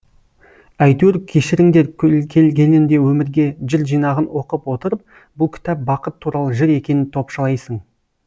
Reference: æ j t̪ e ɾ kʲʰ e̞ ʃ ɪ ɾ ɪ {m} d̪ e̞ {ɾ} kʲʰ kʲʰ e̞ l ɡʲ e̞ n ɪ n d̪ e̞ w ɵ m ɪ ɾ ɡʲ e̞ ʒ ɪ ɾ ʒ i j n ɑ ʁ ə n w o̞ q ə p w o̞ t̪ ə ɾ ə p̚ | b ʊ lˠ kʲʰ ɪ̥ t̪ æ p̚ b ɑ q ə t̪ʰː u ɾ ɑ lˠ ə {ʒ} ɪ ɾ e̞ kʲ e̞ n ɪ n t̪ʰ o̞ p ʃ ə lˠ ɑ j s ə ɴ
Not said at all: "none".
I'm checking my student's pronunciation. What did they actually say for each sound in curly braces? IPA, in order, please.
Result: ŋ, ɾ, ʒ

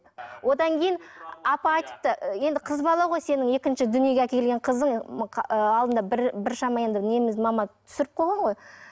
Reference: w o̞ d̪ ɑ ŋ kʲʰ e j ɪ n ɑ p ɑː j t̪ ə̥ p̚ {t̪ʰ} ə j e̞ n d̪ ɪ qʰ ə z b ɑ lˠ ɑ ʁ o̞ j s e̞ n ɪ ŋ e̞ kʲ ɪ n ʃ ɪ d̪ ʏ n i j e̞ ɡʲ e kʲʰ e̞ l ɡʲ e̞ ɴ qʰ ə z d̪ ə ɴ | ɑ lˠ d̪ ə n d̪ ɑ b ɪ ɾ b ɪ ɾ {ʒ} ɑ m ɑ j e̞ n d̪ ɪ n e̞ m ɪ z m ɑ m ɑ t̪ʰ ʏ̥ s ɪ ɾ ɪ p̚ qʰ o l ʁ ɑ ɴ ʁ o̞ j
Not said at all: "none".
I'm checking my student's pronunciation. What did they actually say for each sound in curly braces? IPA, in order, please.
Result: t̪, ʃ

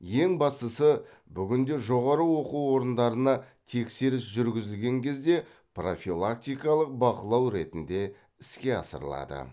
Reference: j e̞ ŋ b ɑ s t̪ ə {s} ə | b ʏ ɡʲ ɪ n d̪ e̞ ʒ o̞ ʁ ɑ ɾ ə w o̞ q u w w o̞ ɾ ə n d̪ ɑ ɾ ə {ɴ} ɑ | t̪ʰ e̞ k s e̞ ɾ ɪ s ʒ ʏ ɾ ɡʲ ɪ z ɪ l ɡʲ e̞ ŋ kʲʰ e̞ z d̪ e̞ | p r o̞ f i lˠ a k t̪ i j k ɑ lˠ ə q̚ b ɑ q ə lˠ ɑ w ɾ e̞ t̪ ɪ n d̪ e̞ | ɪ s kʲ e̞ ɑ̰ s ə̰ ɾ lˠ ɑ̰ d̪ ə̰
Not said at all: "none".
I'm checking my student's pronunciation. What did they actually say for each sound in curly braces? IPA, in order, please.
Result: s, n

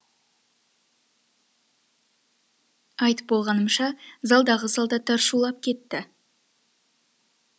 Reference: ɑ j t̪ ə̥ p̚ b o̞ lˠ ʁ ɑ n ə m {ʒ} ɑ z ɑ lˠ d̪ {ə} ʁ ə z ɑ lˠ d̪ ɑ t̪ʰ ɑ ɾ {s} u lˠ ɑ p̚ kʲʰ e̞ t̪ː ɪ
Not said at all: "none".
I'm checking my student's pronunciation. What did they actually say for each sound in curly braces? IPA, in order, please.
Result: ʃ, ɑ, ʃ

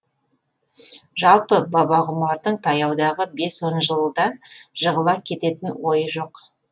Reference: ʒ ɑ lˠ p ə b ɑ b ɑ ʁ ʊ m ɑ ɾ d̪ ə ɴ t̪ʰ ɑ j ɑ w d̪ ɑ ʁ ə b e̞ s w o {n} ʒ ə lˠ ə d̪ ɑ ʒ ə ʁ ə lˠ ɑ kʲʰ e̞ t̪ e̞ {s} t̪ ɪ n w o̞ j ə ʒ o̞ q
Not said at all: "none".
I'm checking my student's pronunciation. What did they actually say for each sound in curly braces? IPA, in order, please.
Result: n, none

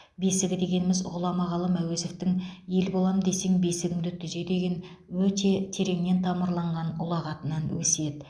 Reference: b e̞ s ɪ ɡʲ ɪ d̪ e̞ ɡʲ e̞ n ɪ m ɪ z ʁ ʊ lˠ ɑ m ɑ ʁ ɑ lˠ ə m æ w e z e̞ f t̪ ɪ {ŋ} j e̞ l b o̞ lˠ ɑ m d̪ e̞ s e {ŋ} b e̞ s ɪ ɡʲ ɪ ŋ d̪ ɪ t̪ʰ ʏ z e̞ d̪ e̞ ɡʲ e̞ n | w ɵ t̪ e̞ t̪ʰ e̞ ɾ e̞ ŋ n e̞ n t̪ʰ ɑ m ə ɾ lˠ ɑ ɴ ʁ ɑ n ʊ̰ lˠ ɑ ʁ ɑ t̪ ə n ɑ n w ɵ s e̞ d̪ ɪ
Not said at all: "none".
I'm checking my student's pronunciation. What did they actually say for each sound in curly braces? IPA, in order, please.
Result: ŋ, ŋ

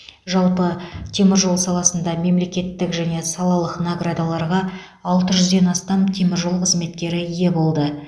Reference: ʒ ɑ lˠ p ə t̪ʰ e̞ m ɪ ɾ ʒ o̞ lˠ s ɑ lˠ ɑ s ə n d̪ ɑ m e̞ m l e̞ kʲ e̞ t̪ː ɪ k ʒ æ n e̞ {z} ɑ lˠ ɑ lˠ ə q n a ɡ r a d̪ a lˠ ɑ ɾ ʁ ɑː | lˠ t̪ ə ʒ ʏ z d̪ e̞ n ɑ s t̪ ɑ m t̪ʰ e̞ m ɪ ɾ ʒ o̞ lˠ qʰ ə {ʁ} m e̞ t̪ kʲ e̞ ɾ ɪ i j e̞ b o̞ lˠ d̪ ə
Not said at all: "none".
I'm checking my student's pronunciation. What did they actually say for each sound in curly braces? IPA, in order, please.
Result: s, z

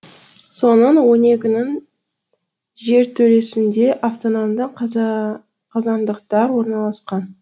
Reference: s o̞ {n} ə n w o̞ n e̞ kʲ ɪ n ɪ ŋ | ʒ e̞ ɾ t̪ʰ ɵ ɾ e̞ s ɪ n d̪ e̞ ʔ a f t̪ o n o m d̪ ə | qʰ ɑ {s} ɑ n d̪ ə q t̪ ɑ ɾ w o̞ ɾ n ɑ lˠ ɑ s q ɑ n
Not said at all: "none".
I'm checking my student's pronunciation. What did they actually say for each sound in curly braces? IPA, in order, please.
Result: n, z

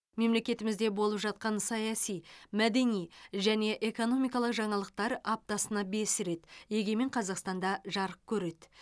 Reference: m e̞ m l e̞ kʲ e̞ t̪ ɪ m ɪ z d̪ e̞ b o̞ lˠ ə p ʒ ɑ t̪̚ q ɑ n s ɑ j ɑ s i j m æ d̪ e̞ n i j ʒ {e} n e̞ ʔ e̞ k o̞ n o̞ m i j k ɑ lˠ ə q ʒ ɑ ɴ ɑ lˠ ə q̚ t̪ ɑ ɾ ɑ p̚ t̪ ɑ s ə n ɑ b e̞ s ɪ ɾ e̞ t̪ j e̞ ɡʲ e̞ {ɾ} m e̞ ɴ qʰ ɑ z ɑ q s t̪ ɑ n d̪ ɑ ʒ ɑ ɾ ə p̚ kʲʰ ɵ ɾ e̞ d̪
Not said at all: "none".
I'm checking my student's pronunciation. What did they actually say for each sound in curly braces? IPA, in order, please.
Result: æ, none

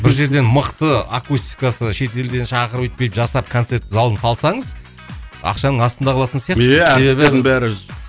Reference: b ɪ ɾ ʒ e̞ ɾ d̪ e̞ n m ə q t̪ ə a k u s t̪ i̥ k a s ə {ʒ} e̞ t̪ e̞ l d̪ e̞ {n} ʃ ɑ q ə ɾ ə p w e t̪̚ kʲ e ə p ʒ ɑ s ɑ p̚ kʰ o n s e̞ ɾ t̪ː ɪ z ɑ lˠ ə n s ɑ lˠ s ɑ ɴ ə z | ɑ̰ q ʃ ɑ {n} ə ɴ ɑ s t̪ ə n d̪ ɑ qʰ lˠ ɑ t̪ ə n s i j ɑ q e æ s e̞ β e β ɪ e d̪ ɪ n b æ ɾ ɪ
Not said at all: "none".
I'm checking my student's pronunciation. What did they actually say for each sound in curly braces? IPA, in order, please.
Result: ʃ, n, n

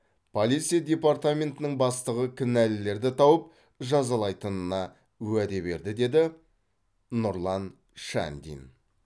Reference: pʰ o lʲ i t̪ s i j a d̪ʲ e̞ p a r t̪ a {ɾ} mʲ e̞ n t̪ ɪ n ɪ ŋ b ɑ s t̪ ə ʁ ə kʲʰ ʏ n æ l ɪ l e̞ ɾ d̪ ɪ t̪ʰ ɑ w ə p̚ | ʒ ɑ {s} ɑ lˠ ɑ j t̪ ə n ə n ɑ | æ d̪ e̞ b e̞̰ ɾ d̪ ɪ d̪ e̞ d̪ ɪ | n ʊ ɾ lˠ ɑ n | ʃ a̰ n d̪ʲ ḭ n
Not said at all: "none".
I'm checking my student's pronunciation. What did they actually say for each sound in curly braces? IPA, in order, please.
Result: none, z

